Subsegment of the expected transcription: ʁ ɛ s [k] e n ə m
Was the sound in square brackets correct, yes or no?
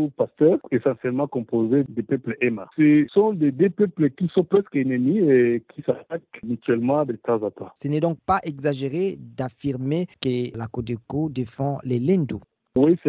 yes